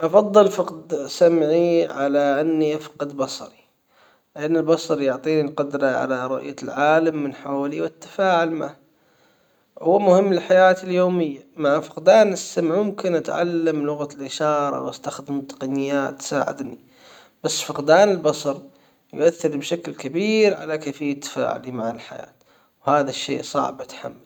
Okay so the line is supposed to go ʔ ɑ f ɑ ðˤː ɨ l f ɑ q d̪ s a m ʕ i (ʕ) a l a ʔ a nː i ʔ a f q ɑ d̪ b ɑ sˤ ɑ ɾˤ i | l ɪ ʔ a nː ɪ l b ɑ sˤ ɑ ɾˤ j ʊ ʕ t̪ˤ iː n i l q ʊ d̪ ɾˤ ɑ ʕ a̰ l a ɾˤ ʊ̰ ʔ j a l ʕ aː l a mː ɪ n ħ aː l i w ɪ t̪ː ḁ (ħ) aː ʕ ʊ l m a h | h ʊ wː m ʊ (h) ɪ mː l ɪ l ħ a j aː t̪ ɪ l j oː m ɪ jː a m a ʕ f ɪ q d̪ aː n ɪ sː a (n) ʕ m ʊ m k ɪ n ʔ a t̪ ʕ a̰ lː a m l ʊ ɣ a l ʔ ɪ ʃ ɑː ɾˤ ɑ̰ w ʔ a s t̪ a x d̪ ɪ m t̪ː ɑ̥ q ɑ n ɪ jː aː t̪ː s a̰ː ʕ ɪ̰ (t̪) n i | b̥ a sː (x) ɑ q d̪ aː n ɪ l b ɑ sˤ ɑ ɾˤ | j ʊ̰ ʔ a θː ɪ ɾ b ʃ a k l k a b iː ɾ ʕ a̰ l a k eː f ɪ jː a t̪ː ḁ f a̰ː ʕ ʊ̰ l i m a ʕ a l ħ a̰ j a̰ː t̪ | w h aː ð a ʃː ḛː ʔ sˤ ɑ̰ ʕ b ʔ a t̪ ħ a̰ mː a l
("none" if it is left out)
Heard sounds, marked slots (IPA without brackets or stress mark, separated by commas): ʕ, f, h, m, d̪, f